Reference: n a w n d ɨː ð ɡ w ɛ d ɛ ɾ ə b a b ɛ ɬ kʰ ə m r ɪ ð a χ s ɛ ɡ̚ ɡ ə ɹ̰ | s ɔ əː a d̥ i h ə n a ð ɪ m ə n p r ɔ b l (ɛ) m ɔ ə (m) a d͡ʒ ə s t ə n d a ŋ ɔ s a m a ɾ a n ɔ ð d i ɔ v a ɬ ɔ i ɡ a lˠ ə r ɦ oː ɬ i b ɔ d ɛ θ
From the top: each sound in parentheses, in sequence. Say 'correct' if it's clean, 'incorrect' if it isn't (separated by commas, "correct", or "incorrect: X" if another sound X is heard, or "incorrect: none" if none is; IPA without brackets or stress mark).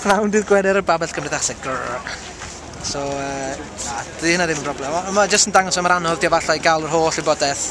correct, correct